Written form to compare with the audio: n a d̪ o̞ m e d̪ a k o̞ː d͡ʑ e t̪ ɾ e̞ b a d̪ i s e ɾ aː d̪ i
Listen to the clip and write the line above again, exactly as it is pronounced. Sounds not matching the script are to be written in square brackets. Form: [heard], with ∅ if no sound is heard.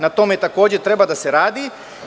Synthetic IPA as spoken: n a [t̪] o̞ m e [t̪] a k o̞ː d͡ʑ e t̪ ɾ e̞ b a d̪ [a] s e ɾ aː d̪ i